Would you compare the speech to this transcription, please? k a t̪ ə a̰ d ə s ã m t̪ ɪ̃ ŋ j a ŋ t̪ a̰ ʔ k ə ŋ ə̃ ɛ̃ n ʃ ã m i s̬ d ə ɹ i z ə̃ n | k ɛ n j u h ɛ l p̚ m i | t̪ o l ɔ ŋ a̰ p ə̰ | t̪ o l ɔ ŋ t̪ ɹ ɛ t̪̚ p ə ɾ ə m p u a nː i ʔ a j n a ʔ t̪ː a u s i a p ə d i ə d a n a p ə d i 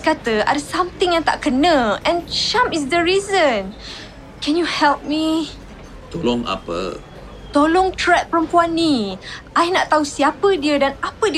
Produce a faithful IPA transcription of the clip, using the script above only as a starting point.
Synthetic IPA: k a t̪ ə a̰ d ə s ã m t̪ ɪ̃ ŋ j a ŋ t̪ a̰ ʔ k ə n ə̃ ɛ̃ n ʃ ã m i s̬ d ə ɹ i z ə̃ n | k ɛ n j u h ɛ l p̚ m i | t̪ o l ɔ ŋ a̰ p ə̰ | t̪ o l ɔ ŋ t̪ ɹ ɛ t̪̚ p ə ɾ ə m p u a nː i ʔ a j n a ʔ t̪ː a u s i a p ə d i ə d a n a p ə d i